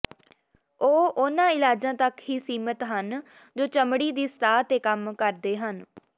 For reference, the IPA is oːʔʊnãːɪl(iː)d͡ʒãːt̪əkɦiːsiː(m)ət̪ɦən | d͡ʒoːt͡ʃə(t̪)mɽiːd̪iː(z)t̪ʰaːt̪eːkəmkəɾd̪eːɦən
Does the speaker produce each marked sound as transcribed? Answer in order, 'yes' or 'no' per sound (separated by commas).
no, yes, no, no